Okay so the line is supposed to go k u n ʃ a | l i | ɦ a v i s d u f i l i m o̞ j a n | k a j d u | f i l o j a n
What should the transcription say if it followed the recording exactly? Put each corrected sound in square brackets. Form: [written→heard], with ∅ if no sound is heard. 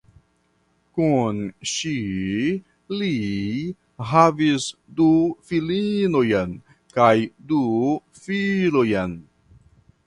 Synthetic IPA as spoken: k u n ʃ [a→i] | l i | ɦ a v i s d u f i l i [m→n] o̞ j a n | k a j d u | f i l o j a n